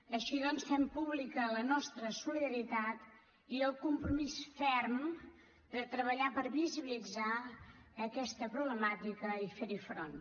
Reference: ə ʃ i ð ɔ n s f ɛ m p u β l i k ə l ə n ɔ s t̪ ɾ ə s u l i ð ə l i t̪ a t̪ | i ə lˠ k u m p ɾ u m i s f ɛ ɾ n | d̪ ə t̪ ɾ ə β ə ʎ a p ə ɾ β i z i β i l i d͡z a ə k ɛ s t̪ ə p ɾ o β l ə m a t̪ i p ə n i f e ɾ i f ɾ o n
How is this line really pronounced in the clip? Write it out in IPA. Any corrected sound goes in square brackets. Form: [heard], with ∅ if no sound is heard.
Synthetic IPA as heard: ə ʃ i ð ɔ n s f ɛ m p u β l i k ə l ə n ɔ s t̪ ɾ ə s u l i ð ə [ɾ] i t̪ a t̪ | i ə lˠ k u m p ɾ u m i s f ɛ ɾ [m] | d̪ ə t̪ ɾ ə β ə ʎ a p ə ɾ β i z i β i l i d͡z a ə k ɛ s t̪ ə p ɾ [u] β l ə m a t̪ i [k] ə [∅] i f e ɾ i f ɾ o n